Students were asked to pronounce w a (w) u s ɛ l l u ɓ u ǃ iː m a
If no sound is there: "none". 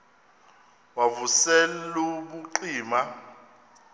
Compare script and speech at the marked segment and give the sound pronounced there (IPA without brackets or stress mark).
v